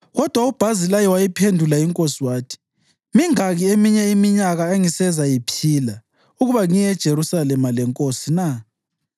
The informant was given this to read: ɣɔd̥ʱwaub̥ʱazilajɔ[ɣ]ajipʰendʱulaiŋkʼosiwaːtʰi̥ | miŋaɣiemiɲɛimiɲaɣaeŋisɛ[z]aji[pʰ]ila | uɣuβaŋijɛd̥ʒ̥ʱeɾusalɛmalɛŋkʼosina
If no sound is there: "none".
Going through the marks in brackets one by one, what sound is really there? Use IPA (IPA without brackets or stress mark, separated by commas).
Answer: w, z, pʰ